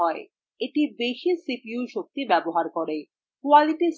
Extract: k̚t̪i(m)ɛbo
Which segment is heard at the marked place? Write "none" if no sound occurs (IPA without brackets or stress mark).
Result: b